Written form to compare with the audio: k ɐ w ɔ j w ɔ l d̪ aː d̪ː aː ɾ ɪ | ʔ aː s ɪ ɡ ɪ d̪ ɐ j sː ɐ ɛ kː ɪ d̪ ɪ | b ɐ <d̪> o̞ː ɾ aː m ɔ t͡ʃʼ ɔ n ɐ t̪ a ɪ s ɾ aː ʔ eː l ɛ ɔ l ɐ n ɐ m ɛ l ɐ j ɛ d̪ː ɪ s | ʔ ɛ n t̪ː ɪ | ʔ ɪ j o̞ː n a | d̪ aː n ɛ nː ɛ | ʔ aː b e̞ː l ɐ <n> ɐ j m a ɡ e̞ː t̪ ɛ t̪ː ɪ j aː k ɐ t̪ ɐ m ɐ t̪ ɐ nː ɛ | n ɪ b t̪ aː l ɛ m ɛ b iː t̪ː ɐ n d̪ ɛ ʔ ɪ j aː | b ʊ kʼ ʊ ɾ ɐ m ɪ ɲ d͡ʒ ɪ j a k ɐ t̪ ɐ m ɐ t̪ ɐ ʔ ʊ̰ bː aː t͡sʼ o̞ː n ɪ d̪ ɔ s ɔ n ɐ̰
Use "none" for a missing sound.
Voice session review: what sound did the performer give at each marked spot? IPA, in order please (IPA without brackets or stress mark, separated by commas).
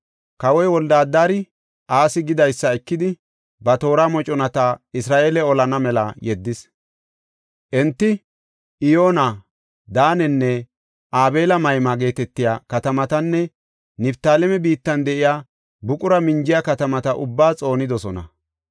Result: t̪, m